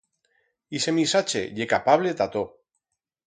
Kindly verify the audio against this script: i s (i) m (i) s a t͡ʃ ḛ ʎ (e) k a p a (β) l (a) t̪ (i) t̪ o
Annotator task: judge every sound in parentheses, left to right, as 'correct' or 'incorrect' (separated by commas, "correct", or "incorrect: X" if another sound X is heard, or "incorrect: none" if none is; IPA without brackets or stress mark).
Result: incorrect: e, correct, correct, correct, incorrect: e, incorrect: a